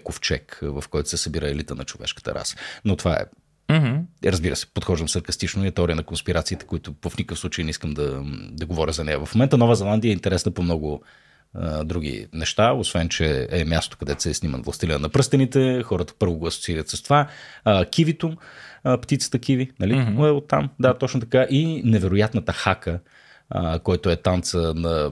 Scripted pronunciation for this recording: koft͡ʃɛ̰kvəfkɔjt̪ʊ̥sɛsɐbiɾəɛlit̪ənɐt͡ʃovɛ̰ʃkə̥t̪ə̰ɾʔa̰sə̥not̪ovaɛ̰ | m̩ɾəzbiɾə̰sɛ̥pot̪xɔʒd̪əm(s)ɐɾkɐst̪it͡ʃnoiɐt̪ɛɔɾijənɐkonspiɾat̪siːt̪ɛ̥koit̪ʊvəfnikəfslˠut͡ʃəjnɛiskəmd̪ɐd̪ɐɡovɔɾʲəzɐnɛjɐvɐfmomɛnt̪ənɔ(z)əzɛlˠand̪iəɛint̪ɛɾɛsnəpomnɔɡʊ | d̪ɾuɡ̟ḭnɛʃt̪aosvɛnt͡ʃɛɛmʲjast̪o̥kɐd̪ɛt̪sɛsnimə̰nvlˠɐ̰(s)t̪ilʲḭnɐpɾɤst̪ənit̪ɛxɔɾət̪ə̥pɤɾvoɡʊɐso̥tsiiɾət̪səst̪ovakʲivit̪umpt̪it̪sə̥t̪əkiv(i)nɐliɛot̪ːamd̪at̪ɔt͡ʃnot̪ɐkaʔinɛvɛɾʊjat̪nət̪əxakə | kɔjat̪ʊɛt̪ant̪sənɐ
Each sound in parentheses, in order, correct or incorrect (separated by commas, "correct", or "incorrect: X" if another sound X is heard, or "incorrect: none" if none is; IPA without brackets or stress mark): correct, incorrect: v, correct, correct